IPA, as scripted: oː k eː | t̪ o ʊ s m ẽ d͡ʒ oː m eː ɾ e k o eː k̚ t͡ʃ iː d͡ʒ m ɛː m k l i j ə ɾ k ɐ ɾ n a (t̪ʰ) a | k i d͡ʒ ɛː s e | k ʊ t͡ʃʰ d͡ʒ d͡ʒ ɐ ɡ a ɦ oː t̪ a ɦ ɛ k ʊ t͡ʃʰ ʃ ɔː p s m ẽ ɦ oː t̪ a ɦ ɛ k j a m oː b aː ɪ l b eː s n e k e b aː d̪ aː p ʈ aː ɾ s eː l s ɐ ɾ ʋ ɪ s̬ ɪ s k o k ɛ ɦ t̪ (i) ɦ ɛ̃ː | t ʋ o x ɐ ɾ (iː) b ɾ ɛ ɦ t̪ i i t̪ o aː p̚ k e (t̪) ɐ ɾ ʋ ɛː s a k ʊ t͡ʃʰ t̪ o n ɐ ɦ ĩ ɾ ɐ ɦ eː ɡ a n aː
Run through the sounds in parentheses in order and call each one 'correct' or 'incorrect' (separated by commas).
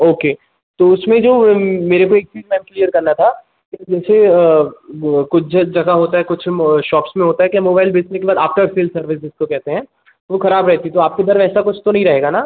correct, incorrect, incorrect, incorrect